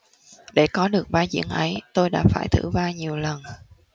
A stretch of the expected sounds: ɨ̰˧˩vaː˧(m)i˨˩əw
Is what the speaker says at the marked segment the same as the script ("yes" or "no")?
no